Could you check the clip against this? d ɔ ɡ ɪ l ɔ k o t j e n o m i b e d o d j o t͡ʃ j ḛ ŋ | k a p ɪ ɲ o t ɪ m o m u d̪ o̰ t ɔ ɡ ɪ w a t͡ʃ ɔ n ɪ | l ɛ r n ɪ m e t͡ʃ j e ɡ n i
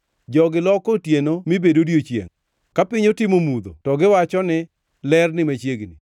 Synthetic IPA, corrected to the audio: d͡ʒ ɔ ɡ ɪ l ɔ k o t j e n o m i b e d o d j o t͡ʃ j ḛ ŋ | k a p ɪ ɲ o t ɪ m o m u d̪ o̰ t ɔ ɡ ɪ w a t͡ʃ ɔ n ɪ | l ɛ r n ɪ m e t͡ʃ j e ɡ n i

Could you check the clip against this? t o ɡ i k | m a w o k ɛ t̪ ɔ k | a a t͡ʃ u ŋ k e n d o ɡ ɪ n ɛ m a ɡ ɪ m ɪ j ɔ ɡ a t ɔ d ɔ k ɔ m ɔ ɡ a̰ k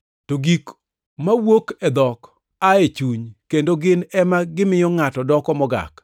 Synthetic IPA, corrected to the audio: t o ɡ i k | m a w o k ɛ d̪ ɔ k | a e t͡ʃ u ɲ k e n d o ɡ ɪ n ɛ m a ɡ ɪ m ɪ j ɔ ŋ a t ɔ d ɔ k ɔ m ɔ ɡ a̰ k

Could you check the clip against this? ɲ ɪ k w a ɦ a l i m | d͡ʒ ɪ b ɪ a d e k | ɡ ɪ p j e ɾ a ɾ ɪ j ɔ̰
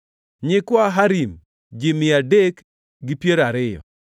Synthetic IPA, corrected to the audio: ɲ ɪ k w a ɦ a ɾ i m | d͡ʒ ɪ m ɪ a d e k | ɡ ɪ p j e ɾ a ɾ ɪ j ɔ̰

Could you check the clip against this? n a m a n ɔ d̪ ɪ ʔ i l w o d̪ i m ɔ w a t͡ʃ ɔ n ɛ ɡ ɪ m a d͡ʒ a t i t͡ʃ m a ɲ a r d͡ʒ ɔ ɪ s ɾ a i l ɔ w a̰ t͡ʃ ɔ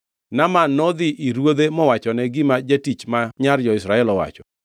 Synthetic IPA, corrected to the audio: n a m a n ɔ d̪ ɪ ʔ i ɾ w o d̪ e m ɔ w a t͡ʃ ɔ n ɛ ɡ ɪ m a d͡ʒ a t i t͡ʃ m a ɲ a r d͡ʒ ɔ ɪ s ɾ a ɛ l ɔ w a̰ t͡ʃ ɔ

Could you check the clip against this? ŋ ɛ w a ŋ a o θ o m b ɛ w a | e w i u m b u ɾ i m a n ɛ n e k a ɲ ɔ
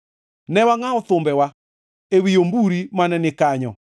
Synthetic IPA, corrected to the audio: n ɛ w a ŋ a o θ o m b ɛ w a | e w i o m b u ɾ i m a n ɛ n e k a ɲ ɔ

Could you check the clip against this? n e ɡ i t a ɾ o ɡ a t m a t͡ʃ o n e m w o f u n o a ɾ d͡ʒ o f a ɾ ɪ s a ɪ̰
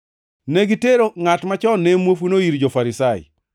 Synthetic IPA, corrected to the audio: n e ɡ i t e ɾ o ŋ a t m a t͡ʃ ɔ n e m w o f u n o i ɾ d͡ʒ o f a ɾ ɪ s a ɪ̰

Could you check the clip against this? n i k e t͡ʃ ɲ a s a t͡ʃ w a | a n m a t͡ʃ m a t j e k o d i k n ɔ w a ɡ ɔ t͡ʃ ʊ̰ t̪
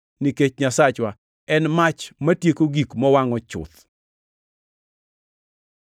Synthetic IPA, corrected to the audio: n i k e t͡ʃ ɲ a s a t͡ʃ w a | ɛ n m a t͡ʃ m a t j e k o ɡ i k m ɔ w a ŋ ɔ t͡ʃ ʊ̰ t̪

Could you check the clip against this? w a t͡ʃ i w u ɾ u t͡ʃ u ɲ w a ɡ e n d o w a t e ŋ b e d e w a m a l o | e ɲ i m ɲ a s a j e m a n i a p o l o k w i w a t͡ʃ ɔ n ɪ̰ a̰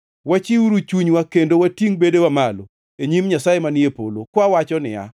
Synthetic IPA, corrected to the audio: w a t͡ʃ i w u ɾ u t͡ʃ u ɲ w a k e n d o w a t i ŋ b e d e w a m a l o | e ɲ i m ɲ a s a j e m a n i e p o l o k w a w a t͡ʃ ɔ n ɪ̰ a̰

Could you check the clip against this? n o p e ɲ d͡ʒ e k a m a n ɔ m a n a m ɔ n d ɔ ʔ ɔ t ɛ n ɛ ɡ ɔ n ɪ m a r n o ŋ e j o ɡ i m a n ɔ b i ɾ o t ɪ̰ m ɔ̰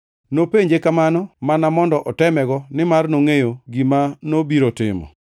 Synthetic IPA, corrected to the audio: n o p e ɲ d͡ʒ e k a m a n ɔ m a n a m ɔ n d ɔ ʔ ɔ t ɛ m ɛ ɡ ɔ n ɪ m a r n o ŋ e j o ɡ i m a n o b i ɾ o t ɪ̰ m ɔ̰

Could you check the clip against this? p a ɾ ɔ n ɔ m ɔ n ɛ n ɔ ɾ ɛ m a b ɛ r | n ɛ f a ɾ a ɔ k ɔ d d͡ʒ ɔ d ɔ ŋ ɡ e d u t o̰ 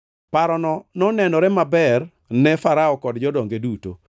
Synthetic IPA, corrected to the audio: p a ɾ ɔ n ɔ n ɔ n ɛ n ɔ ɾ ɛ m a b ɛ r | n ɛ f a ɾ a ɔ k ɔ d d͡ʒ ɔ d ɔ ŋ ɡ e d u t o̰

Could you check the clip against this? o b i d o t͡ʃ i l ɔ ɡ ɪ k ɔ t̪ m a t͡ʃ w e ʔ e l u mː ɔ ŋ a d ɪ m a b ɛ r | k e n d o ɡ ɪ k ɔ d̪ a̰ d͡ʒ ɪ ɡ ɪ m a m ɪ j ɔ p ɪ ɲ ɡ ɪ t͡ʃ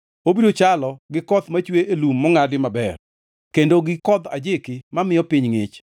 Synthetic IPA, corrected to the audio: o b i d o t͡ʃ a l ɔ ɡ ɪ k ɔ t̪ m a t͡ʃ w e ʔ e l u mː ɔ ŋ a d ɪ m a b ɛ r | k e n d o ɡ ɪ k ɔ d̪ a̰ d͡ʒ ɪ k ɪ m a m ɪ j ɔ p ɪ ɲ ŋ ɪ t͡ʃ

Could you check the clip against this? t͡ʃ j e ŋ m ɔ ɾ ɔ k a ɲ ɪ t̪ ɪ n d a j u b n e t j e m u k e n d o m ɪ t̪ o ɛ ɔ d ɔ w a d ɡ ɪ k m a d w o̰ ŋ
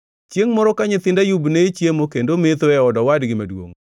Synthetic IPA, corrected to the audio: t͡ʃ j e ŋ m ɔ ɾ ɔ k a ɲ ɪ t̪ ɪ n d a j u b n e t͡ʃ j e m o k e n d o m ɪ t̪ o ɛ ɔ d ɔ w a d ɡ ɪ m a d w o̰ ŋ

